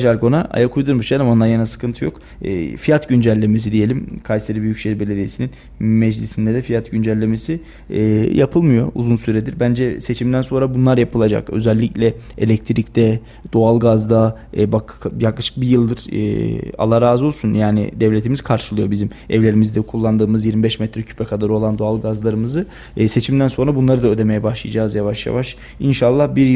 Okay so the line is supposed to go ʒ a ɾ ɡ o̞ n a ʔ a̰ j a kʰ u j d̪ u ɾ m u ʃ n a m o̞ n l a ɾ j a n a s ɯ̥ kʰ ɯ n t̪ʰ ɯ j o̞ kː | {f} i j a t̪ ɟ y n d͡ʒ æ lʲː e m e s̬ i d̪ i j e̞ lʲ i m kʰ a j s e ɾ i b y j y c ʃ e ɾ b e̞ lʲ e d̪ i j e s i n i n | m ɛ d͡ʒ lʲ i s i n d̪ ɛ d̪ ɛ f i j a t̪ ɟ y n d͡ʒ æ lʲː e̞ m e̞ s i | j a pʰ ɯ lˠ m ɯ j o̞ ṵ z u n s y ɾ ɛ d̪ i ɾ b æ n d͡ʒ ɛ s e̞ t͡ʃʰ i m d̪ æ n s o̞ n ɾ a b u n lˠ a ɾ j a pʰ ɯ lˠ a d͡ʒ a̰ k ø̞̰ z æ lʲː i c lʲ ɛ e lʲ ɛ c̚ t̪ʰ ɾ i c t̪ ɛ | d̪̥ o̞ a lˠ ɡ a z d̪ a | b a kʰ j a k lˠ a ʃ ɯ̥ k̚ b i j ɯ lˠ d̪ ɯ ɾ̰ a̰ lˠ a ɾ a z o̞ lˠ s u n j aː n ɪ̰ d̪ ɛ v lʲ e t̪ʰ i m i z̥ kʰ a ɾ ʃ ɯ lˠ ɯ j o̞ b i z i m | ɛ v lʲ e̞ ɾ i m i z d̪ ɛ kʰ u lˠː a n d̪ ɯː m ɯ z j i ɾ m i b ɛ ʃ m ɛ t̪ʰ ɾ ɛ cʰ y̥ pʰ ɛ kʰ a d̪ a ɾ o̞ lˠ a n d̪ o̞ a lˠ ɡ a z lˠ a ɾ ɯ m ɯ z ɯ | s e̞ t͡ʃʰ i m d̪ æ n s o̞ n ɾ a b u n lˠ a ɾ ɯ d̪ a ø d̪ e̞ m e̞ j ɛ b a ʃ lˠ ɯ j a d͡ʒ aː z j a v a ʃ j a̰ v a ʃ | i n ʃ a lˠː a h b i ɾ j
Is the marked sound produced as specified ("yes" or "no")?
yes